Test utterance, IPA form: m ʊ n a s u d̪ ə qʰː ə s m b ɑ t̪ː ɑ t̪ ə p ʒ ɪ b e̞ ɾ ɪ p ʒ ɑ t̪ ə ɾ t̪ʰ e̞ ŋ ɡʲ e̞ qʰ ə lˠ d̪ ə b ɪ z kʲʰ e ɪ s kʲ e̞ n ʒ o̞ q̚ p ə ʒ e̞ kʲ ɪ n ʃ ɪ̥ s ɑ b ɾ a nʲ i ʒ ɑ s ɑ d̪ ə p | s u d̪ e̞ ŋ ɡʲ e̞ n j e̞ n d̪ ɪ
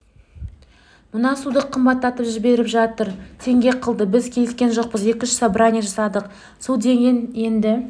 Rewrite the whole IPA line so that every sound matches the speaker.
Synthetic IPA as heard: m ʊ n ɑ s u d̪ ə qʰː ə m b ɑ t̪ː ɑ t̪ ə p ʒ ɪ b e̞ ɾ ɪ p ʒ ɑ t̪ ə ɾ t̪ʰ e̞ ŋ ɡʲ e̞ qʰ ə lˠ d̪ ə b ɪ z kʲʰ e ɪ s kʲ e̞ n ʒ o̞ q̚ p ə z e̞ kʲ ɪ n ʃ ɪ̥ s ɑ b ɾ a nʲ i ʒ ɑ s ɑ d̪ ə q | s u d̪ e̞ ŋ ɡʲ e̞ n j e̞ n d̪ ɪ